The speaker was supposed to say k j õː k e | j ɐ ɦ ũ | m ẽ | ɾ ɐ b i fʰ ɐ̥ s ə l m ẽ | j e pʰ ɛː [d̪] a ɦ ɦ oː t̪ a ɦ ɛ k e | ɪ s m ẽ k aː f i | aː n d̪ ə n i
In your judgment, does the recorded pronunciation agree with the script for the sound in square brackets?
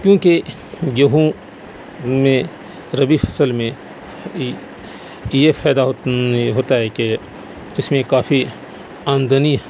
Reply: yes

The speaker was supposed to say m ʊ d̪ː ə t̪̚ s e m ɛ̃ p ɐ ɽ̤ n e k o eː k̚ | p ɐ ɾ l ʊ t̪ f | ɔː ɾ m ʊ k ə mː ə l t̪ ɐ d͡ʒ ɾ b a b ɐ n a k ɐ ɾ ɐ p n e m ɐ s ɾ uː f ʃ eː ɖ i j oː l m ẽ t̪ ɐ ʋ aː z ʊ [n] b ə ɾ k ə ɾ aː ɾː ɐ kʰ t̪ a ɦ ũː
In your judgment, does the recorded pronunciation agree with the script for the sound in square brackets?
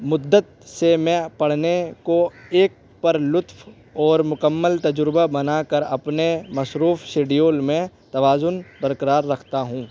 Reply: yes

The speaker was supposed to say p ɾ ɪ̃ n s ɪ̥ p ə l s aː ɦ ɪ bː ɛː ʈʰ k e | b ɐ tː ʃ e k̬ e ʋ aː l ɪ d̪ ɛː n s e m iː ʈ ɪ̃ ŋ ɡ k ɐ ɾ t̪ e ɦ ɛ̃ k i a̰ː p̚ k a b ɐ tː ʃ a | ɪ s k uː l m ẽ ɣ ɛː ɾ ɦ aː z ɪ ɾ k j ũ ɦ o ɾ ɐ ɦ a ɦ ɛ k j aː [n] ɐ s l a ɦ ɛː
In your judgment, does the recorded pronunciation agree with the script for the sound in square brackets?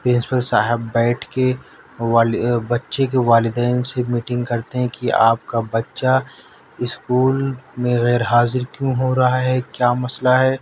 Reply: no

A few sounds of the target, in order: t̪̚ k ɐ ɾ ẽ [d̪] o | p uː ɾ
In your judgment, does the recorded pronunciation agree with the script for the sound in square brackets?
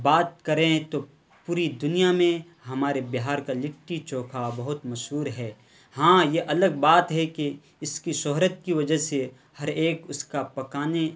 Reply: no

